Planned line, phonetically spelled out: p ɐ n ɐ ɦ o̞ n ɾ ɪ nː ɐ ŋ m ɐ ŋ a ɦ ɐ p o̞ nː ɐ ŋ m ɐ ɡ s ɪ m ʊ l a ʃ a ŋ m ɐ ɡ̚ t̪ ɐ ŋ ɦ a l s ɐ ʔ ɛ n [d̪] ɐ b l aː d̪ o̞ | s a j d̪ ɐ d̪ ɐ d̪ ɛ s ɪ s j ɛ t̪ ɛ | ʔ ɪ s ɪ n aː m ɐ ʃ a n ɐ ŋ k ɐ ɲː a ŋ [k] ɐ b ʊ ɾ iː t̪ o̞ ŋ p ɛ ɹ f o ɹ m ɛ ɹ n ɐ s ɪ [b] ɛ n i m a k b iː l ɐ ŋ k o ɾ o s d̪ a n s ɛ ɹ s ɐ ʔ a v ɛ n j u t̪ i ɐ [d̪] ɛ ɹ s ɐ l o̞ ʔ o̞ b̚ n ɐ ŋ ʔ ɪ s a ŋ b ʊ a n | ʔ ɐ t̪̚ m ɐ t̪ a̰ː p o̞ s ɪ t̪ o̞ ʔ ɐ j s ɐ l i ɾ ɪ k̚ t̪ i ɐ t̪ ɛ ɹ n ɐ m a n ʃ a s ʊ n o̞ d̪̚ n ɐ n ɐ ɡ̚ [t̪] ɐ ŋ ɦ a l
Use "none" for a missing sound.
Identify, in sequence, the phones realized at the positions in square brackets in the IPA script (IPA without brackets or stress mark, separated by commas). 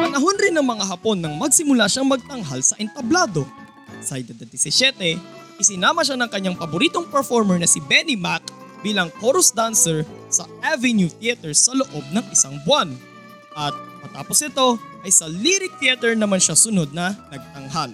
t̪, p, b, t̪, t̪